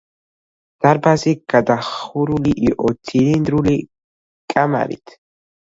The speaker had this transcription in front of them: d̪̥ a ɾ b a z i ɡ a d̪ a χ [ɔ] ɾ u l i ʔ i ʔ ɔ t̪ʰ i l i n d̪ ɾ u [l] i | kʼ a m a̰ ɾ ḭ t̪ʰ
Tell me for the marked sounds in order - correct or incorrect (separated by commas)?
incorrect, correct